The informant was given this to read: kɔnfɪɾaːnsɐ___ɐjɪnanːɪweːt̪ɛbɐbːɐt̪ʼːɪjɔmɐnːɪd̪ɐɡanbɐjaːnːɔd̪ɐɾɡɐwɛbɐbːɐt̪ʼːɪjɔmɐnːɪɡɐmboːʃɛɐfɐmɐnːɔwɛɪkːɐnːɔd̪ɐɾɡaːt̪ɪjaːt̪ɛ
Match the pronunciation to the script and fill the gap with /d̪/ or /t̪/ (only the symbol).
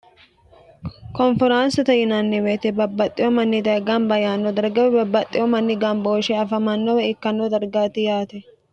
t̪